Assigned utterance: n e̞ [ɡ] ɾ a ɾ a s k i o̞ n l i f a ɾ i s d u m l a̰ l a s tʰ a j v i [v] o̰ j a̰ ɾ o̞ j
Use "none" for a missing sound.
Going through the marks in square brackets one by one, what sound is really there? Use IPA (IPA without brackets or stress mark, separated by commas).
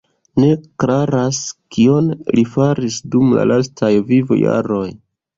k, v